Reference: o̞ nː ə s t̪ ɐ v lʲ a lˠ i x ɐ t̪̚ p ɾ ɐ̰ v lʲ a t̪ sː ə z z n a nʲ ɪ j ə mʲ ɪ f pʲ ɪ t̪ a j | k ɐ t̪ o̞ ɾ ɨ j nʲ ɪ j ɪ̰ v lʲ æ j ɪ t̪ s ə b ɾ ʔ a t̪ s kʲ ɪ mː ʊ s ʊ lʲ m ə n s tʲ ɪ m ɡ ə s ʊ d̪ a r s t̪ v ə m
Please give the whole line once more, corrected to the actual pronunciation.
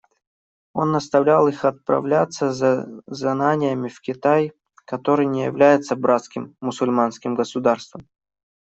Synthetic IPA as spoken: o̞ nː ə s t̪ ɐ v lʲ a lˠ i x ɐ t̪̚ p ɾ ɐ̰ v lʲ a t̪ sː ə z z n a nʲ ɪ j ə mʲ ɪ f kʲ ɪ t̪ a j | k ɐ t̪ o̞ ɾ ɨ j nʲ ɪ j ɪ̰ v lʲ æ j ɪ t̪ s ə b ɾ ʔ a t̪ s kʲ ɪ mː ʊ s ʊ lʲ m a n s kʲ ɪ m ɡ ə s ʊ d̪ a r s t̪ v ə m

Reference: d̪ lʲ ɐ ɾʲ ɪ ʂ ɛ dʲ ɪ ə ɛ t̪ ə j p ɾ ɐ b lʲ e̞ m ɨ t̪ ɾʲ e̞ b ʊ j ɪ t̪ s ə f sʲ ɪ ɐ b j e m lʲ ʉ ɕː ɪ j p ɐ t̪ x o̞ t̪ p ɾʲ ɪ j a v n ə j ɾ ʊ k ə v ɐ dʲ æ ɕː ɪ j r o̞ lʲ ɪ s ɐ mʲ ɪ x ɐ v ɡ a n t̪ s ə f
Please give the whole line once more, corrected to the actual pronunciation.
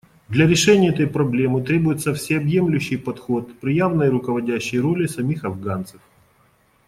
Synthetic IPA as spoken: d̪ lʲ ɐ ɾʲ ɪ ʂ ɛ nʲ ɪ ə ɛ t̪ ə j p ɾ ɐ b lʲ e̞ m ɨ t̪ ɾʲ e̞ b ʊ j ɪ t̪ s ə f sʲ ɪ ɐ b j e m lʲ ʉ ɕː ɪ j p ɐ t̪ x o̞ t̪ p ɾʲ ɪ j a v n ə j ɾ ʊ k ə v ɐ dʲ æ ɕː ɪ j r o̞ lʲ ɪ s ɐ mʲ i x ɐ v ɡ a n t̪ s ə f

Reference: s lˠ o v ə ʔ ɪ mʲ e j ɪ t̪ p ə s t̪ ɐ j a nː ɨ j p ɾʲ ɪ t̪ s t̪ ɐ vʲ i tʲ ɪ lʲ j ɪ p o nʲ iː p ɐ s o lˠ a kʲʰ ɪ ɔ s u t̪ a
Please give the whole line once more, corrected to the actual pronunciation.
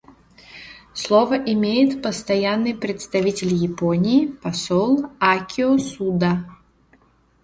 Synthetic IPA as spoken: s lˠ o v ə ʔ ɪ mʲ e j ɪ t̪ p ə s t̪ ɐ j a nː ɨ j p ɾʲ ɪ t̪ s t̪ ɐ vʲ i tʲ ɪ lʲ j ɪ p o nʲ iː p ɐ s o lˠ a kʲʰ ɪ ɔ s u d̪ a

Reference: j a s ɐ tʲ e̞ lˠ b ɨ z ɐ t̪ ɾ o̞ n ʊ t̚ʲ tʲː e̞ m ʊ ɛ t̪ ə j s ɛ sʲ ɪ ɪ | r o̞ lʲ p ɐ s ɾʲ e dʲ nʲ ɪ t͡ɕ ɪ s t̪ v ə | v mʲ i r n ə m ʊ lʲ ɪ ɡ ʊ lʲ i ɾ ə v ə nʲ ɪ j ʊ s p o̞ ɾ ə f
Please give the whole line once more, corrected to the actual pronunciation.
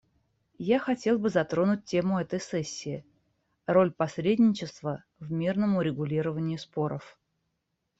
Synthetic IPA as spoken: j a x ɐ tʲ e̞ lˠ b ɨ z ɐ t̪ ɾ o̞ n ʊ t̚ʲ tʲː e̞ m ʊ ɛ t̪ ə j s ɛ sʲː ɪ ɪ | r o̞ lʲ p ɐ s ɾʲ e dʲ nʲ ɪ t͡ɕ ɪ s t̪ v ə | v mʲ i r n ə m ʊ ɾʲ ɪ ɡ ʊ lʲ i ɾ ə v ə nʲ ɪ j ʊ s p o̞ ɾ ə f

